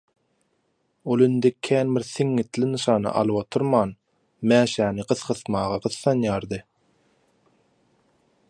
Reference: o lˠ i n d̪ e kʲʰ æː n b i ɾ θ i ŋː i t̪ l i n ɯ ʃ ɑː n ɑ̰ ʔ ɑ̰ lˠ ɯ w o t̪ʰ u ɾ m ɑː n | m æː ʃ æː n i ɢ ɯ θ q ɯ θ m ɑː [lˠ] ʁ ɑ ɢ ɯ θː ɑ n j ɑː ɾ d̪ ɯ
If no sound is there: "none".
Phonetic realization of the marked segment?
none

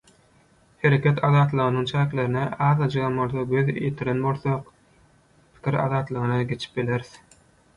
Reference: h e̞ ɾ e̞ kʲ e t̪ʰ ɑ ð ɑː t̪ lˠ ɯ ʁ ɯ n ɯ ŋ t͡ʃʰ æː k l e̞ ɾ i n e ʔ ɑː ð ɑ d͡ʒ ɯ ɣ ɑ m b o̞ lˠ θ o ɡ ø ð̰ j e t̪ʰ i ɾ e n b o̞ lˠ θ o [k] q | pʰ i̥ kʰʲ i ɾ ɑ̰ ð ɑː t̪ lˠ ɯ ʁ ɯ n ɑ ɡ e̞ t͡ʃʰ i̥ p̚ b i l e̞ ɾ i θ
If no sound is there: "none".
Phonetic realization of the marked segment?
none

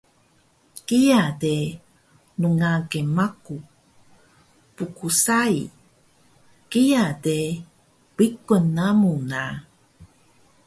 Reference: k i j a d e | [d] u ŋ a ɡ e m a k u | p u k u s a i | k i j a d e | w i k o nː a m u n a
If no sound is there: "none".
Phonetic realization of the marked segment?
n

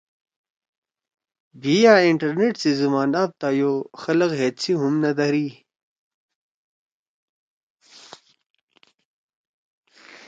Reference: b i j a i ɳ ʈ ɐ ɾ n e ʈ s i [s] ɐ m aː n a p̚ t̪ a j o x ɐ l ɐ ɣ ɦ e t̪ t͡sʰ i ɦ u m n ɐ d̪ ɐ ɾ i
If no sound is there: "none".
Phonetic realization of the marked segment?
z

